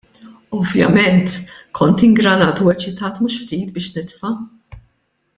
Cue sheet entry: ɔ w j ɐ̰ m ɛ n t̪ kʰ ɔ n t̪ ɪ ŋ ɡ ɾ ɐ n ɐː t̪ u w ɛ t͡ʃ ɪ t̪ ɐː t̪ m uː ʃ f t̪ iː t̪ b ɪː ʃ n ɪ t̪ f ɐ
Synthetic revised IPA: ɔ v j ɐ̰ m ɛ n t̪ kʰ ɔ n t̪ ɪ ŋ ɡ ɾ ɐ n ɐː t̪ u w ɛ t͡ʃ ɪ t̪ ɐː t̪ m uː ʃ f t̪ iː t̪ b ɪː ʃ n ɪ t̪ f ɐ

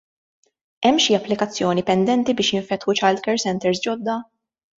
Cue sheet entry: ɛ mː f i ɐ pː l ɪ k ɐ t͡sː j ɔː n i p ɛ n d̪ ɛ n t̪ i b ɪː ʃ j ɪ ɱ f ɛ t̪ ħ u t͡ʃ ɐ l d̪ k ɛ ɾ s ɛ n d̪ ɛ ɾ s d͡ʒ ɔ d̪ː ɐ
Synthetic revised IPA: ɛ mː ʃ i ɐ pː l ɪ k ɐ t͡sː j ɔː n i p ɛ n d̪ ɛ n t̪ i b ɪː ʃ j ɪ ɱ f ɛ t̪ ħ u t͡ʃ ɐ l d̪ k ɛ ɾ s ɛ n t̪ ɛ ɾ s d͡ʒ ɔ d̪ː ɐ

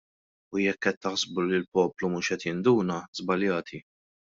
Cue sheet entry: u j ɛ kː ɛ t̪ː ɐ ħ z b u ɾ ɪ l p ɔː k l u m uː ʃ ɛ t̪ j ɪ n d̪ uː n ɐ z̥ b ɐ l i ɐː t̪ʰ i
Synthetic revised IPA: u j ɛ kː ɛ t̪ː ɐ ħ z b u l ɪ l p ɔː p l u m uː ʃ ɛ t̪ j ɪ n d̪ uː n ɐ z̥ b ɐ l j ɐː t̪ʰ i

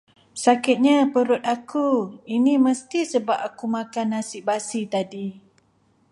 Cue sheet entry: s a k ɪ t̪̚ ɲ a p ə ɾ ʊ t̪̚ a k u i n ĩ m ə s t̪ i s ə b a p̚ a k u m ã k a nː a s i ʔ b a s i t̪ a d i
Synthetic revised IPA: s a k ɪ t̪̚ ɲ a p ə ɾ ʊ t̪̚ a k u i n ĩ m ə s t̪ i s ə b a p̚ a k u m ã k a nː a s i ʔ b a s i t̪ a d i

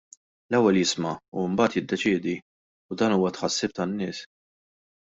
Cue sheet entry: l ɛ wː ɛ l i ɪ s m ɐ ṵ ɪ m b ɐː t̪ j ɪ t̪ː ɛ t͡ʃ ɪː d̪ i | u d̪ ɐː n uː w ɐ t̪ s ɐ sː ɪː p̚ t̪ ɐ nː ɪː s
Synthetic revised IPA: l ɛ wː ɛ l j ɪ s m ɐ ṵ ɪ m b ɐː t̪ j ɪ d̪ː ɛ t͡ʃ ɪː d̪ i | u d̪ ɐː n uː w ɐ t̪ ħ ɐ sː ɪː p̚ t̪ ɐ nː ɪː s

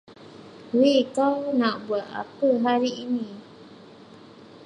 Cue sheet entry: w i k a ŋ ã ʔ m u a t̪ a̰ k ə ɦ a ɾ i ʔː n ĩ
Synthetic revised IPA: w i k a n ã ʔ b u a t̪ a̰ p ə ɦ a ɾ i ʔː n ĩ

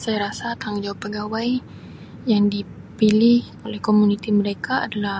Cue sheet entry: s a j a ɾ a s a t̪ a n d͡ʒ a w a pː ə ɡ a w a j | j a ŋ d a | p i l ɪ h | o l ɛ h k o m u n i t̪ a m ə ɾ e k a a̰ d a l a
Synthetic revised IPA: s a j a ɾ a s a t̪ a ŋ d͡ʒ a w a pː ə ɡ a w a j | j a ŋ d i | p i l ɪ h | o l ɛ h k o m u n i t̪ i m ə ɾ e k a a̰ d a l a

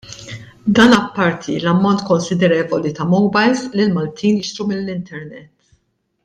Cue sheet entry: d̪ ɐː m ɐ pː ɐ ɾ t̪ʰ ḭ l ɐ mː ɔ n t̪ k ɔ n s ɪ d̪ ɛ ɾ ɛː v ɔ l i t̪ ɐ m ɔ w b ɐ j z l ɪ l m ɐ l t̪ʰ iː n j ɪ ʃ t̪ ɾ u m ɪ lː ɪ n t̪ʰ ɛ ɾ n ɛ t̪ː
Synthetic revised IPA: d̪ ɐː n ɐ pː ɐ ɾ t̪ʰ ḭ l ɐ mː ɔ n t̪ k ɔ n s ɪ d̪ ɛ ɾ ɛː v ɔ l i t̪ ɐ m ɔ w b ɐ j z l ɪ l m ɐ l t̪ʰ iː n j ɪ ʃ t̪ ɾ u m ɪ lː ɪ n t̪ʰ ɛ ɾ n ɛ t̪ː

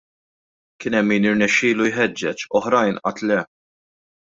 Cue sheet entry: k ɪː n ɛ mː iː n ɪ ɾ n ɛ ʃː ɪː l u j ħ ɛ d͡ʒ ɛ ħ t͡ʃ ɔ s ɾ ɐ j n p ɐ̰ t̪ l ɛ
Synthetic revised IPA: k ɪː n ɛ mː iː n ɪ ɾ n ɛ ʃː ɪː l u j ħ ɛ d͡ʒː ɛ t͡ʃ ɔ ħ ɾ ɐ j n ʔ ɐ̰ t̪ l ɛ

